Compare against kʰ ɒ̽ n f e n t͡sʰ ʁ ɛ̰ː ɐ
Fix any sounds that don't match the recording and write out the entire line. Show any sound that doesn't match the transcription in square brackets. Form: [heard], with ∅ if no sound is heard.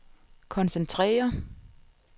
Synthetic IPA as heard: kʰ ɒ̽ n [s] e n t͡sʰ ʁ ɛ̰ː ɐ